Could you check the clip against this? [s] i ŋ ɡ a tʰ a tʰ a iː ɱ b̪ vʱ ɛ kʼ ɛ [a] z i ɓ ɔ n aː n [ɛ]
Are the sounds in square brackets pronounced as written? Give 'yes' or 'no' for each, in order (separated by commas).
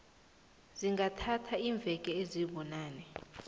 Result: no, no, yes